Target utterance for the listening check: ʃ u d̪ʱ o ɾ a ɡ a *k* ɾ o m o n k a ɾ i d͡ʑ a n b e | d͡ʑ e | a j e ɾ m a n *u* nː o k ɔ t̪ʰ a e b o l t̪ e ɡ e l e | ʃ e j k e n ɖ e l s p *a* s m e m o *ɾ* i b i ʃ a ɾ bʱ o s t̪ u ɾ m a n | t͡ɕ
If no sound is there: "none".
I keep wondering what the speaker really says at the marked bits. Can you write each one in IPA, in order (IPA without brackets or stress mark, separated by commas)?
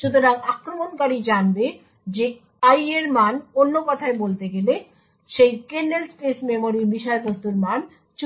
k, o, e, ɾ